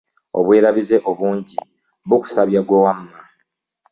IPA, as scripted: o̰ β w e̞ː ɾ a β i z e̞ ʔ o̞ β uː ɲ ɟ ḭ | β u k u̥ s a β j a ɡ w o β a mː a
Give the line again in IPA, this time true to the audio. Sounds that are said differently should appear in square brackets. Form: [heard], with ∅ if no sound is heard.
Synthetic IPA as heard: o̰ β w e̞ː ɾ a β i z e̞ ʔ o̞ β uː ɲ ɟ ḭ | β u k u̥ s a β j a ɡ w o [w] a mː a

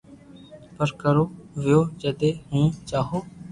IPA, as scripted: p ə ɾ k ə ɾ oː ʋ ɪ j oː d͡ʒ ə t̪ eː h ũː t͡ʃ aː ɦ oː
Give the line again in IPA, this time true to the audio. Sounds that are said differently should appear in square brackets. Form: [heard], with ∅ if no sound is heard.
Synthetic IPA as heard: p ə ɾ k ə ɾ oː ʋ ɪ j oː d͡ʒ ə [d̪] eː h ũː t͡ʃ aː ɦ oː

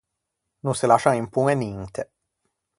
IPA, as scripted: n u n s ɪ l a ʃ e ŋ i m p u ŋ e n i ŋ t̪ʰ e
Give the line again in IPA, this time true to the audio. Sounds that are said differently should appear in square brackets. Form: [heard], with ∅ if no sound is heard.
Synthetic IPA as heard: n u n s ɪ l a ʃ [a] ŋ i m p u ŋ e n i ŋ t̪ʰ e

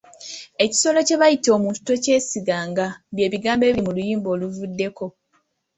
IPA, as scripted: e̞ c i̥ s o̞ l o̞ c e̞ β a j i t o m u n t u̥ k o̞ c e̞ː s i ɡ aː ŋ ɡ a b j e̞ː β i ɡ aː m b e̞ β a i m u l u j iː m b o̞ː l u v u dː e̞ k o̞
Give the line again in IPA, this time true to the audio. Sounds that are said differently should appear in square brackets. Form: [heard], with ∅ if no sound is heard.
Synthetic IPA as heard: e̞ c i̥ s o̞ l o̞ c e̞ β a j i t o m u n t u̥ [t] o̞ c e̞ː s i ɡ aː ŋ ɡ a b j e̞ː β i ɡ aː m b e̞ β [i] i m u l u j iː m b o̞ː l u v u dː e̞ k o̞

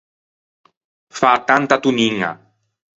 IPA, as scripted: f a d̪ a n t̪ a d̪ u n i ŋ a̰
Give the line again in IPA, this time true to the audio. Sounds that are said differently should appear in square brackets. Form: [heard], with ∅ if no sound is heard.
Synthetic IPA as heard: f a [t̪] a n t̪ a [t̪] u n i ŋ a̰

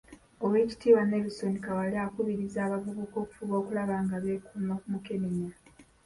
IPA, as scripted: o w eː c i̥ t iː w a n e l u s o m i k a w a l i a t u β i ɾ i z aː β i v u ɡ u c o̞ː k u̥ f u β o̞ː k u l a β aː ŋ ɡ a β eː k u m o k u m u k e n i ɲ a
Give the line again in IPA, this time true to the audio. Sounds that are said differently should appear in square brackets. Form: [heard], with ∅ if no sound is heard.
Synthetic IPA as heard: o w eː c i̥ t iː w a n e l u s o [n] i k a w a l i a [k] u β i ɾ i z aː β [a] v u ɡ u [k] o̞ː k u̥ f u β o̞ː k u l a β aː ŋ ɡ a β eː k u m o k u m u k e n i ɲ a

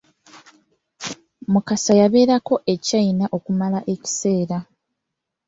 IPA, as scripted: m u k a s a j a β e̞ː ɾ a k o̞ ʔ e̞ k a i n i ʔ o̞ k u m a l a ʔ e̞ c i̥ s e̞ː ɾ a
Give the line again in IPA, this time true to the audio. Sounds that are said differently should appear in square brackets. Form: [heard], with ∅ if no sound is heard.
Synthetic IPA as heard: m u k a s a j a β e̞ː ɾ a k o̞ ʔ e̞ [c] a i n [a] ʔ o̞ k u m a l a ʔ e̞ c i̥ s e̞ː ɾ a

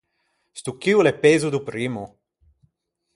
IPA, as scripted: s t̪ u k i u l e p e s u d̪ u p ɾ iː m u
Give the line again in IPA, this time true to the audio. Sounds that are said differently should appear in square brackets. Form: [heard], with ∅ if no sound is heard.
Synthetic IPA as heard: s t̪ u k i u l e p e [z] u d̪ u p ɾ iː m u

